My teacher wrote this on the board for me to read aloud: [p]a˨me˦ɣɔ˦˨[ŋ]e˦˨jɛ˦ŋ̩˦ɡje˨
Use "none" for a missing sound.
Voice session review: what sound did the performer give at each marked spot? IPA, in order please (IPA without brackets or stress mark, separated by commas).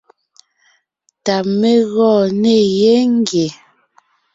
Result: t, n